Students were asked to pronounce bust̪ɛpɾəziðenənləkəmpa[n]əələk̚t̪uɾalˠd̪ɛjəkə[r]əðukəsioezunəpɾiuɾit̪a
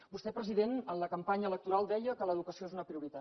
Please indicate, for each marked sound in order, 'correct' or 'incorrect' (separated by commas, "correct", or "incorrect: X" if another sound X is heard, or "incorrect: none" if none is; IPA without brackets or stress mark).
incorrect: ɲ, incorrect: l